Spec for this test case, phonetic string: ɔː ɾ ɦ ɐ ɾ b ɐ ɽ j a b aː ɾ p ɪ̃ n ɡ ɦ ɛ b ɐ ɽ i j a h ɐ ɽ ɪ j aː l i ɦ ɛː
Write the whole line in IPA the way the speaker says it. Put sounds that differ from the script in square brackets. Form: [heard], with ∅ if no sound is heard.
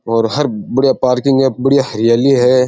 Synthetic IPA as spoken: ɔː ɾ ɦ ɐ ɾ b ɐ ɽ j a [p] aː ɾ [k] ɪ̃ [ŋ] ɡ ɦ ɛ b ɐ ɽ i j a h ɐ [ɾ] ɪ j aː l i ɦ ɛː